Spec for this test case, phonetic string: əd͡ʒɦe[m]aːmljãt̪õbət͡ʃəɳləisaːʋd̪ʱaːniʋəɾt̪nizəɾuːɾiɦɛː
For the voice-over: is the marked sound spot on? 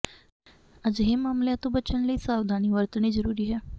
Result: yes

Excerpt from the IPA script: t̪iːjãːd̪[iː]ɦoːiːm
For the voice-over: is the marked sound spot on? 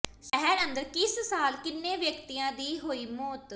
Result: yes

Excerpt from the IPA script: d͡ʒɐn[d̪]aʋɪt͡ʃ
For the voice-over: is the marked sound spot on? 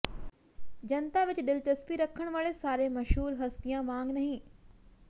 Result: no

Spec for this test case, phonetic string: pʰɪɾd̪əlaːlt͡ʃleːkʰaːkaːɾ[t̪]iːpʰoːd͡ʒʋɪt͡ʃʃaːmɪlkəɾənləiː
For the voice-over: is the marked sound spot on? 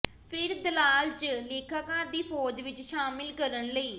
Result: no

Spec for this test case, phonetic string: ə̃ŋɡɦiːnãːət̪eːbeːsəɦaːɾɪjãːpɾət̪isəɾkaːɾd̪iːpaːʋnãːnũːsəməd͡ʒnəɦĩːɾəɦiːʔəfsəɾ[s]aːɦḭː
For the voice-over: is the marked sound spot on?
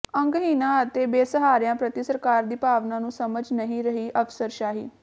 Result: no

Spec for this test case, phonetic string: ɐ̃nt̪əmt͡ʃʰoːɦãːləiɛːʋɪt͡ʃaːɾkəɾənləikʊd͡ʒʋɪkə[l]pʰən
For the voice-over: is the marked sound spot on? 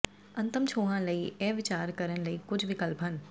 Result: yes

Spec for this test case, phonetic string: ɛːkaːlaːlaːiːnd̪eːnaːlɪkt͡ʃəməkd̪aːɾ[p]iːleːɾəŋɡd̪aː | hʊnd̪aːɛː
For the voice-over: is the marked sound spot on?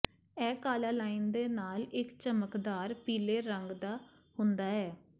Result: yes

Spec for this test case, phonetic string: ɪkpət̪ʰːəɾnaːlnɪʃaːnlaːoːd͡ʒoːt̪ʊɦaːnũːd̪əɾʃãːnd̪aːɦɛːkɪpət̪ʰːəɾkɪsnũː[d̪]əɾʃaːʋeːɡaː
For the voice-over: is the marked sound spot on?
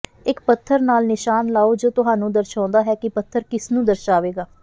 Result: yes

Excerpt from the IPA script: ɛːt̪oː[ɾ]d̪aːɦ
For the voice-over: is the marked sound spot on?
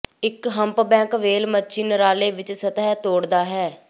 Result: no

